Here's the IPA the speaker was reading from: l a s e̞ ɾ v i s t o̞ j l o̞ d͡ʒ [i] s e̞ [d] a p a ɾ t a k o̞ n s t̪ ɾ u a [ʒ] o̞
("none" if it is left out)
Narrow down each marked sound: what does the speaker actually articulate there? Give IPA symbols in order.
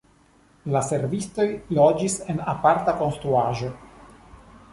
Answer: i, n, ʒ

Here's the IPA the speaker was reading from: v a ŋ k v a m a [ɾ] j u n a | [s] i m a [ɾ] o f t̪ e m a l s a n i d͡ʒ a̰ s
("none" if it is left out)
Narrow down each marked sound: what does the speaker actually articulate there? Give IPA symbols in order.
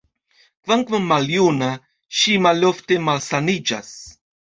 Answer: l, ʃ, l

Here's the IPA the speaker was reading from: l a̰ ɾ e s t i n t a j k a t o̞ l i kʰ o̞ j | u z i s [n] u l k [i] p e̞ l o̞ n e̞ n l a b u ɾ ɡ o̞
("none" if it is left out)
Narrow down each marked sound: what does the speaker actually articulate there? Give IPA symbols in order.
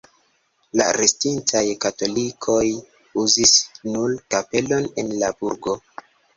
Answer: n, a

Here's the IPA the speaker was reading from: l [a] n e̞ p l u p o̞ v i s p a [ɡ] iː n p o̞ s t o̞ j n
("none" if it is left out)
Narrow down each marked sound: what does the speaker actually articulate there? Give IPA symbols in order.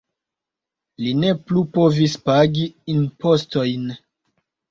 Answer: i, ɡ

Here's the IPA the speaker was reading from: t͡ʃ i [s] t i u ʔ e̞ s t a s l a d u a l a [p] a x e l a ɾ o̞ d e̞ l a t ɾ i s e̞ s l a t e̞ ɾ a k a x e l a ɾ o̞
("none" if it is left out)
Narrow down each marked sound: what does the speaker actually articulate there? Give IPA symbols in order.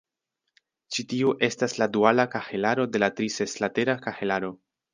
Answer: none, k

